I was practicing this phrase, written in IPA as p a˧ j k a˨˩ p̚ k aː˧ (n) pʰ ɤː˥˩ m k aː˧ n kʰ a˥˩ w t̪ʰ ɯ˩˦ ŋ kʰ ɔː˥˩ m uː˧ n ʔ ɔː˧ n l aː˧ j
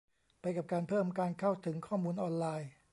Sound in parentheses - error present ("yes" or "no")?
no